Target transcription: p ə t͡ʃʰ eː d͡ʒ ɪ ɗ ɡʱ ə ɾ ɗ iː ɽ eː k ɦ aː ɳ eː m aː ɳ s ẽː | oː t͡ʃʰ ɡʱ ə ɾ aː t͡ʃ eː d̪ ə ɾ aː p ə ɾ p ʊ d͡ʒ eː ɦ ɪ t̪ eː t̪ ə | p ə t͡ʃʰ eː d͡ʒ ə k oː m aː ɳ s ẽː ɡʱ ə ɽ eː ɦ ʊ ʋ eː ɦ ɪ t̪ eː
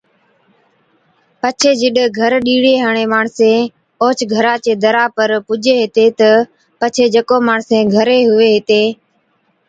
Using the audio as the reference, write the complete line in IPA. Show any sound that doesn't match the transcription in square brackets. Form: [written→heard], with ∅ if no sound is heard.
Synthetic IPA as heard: p ə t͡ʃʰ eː d͡ʒ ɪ ɗ ɡʱ ə ɾ ɗ iː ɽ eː [k→∅] ɦ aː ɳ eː m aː ɳ s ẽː | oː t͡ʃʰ ɡʱ ə ɾ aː t͡ʃ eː d̪ ə ɾ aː p ə ɾ p ʊ d͡ʒ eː ɦ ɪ t̪ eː t̪ ə | p ə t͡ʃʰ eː d͡ʒ ə k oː m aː ɳ s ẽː ɡʱ ə [ɽ→ɾ] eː ɦ ʊ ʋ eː ɦ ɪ t̪ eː